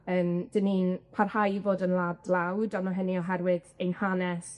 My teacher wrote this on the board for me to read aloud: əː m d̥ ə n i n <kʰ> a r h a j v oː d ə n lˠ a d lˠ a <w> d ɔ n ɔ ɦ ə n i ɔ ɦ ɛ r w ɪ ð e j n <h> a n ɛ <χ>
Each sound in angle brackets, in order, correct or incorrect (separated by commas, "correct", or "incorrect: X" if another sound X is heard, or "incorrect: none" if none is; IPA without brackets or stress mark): incorrect: pʰ, correct, correct, incorrect: s